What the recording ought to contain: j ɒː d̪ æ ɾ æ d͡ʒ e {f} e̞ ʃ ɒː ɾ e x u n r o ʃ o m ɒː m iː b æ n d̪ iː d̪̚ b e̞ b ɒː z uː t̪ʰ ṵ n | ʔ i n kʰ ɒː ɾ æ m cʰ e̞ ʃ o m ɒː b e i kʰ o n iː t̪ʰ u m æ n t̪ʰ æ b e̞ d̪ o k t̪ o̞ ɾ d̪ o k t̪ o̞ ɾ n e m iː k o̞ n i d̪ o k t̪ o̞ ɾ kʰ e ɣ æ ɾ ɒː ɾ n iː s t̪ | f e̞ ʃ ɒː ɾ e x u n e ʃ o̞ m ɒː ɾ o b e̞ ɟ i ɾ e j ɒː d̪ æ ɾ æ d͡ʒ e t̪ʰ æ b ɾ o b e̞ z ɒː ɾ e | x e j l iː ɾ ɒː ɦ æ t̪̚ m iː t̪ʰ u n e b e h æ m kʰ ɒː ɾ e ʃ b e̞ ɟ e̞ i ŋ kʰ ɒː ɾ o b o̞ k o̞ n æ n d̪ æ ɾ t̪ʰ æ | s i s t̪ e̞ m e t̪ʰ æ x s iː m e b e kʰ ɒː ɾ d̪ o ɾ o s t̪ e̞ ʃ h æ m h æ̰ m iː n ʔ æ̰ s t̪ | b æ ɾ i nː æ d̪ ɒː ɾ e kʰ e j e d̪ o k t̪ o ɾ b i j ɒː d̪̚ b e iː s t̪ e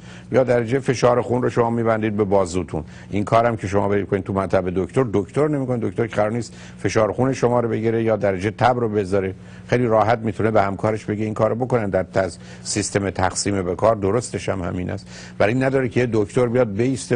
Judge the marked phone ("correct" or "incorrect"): correct